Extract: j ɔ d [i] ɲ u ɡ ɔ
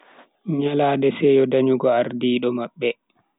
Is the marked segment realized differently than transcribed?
yes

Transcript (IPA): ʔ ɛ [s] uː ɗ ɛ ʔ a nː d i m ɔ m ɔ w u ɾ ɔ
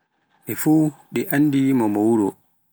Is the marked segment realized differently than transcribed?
yes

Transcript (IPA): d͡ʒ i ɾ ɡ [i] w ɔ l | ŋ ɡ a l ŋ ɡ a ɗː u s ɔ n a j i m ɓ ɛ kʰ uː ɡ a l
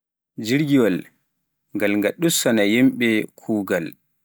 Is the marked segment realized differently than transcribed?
no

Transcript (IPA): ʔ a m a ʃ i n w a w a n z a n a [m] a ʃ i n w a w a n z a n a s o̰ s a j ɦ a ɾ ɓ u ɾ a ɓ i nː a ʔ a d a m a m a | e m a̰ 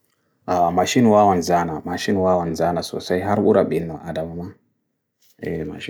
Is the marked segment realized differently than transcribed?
no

